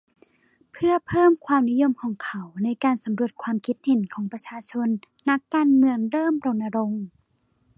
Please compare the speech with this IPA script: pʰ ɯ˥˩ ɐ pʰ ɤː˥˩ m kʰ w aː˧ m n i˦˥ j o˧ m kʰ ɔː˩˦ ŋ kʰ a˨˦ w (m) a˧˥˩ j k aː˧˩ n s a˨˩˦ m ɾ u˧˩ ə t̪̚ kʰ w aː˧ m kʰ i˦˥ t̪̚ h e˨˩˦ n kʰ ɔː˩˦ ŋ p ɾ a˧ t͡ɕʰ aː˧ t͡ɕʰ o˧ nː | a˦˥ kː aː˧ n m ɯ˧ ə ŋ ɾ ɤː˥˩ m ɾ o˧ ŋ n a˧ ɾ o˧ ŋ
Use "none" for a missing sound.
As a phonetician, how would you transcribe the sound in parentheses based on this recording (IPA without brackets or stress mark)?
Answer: n